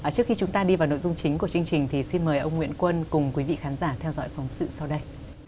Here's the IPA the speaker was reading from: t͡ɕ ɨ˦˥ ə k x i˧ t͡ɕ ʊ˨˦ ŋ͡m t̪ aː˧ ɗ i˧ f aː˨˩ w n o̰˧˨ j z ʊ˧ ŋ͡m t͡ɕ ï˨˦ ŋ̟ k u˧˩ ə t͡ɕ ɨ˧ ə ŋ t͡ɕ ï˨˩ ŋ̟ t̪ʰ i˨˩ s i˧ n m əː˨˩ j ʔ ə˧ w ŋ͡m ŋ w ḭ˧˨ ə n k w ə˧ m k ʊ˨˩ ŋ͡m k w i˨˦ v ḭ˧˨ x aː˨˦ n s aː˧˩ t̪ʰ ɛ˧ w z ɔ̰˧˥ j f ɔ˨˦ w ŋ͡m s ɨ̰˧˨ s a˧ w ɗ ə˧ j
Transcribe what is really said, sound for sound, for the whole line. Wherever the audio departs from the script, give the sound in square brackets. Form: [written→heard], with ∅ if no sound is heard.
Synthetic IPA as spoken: t͡ɕ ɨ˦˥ ə k x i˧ t͡ɕ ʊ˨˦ ŋ͡m t̪ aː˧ ɗ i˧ [f→v] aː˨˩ w n o̰˧˨ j z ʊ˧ ŋ͡m t͡ɕ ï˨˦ ŋ̟ k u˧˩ ə t͡ɕ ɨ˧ ə ŋ t͡ɕ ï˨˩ ŋ̟ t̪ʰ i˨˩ s i˧ n m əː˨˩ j ʔ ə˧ w ŋ͡m ŋ w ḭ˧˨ ə n k w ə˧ [m→n] k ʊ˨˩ ŋ͡m k w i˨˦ v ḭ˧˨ x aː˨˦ n [s→z] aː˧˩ t̪ʰ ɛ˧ w z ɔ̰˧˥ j f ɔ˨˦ w ŋ͡m s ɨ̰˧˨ s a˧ w ɗ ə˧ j